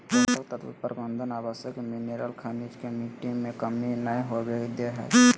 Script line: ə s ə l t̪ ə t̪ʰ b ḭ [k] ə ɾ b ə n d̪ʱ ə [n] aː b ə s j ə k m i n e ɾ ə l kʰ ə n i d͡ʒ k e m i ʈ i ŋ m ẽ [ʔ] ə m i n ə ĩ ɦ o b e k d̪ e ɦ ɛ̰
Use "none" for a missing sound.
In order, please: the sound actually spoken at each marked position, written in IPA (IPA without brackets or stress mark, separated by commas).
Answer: p, n, k